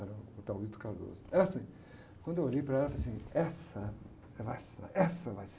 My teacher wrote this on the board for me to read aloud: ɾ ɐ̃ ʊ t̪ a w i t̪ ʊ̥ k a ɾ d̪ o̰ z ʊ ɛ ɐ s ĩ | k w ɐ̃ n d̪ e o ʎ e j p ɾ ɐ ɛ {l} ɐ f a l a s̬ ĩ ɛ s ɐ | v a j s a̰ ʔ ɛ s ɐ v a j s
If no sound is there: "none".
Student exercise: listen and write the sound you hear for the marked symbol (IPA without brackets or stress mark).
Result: l